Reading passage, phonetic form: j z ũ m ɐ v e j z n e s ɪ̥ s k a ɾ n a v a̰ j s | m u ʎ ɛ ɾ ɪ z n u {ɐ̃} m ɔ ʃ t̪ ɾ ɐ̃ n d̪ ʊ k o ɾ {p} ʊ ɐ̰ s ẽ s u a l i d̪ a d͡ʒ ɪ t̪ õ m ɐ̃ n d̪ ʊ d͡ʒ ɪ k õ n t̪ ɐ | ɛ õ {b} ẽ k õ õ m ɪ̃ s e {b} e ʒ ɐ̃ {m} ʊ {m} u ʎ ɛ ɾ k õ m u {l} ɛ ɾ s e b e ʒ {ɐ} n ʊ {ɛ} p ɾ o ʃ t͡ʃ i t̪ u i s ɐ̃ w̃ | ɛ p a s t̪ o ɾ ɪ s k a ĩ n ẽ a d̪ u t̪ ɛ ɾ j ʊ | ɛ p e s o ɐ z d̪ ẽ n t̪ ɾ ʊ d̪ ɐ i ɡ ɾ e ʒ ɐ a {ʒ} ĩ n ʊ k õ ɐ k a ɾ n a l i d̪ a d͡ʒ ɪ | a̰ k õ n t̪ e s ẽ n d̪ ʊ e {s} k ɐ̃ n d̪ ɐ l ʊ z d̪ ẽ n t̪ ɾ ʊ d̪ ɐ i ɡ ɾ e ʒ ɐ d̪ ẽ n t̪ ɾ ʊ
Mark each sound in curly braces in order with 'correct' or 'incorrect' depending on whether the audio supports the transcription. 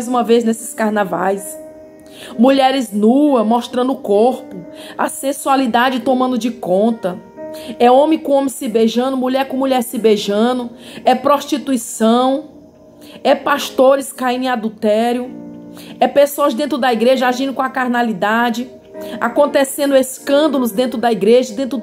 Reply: incorrect: ɐ, correct, incorrect: m, correct, incorrect: n, correct, incorrect: ʎ, incorrect: ɐ̃, correct, correct, correct

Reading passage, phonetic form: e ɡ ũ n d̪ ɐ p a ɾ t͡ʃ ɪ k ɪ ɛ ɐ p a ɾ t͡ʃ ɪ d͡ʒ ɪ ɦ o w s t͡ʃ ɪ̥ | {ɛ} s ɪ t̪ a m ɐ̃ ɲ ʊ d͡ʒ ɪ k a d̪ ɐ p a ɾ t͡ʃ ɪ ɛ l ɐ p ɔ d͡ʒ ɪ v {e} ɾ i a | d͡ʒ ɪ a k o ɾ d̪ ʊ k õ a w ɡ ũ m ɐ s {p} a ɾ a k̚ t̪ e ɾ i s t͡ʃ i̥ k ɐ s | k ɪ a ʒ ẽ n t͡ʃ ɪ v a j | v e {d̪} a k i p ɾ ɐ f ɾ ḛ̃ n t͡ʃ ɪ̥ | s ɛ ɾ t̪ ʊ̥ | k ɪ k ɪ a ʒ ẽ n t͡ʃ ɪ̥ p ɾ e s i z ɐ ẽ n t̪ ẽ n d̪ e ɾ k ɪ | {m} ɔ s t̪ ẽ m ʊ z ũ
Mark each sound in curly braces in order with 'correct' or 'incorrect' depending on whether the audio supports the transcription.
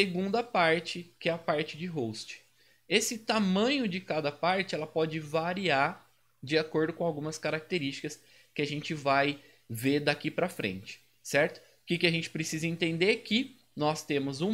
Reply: incorrect: e, incorrect: a, incorrect: k, correct, incorrect: n

